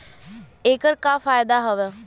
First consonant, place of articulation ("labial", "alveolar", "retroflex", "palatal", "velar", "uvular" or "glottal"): velar